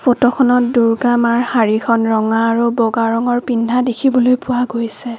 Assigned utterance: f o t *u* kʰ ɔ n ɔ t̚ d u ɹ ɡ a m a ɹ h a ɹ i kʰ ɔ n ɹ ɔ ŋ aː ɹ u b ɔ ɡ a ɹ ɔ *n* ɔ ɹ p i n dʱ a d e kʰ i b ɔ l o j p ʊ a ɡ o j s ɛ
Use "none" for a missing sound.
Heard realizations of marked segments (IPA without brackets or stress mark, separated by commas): ɔ, ŋ